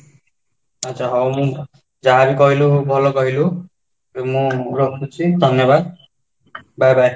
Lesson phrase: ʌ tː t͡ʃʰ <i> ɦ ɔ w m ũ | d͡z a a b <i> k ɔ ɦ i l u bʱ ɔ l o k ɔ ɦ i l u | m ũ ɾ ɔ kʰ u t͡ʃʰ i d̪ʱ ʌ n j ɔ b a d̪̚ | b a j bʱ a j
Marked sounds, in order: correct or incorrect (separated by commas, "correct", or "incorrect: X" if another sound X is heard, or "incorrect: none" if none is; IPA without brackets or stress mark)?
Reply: incorrect: a, correct